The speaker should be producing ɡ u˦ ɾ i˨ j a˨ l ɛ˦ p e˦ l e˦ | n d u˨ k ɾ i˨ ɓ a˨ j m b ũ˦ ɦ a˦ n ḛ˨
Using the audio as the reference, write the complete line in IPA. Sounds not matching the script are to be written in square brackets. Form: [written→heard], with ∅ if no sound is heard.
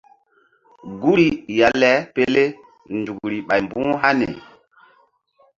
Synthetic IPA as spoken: ɡ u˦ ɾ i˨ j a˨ l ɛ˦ p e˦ l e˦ | n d u˨ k ɾ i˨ ɓ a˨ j m b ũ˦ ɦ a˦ n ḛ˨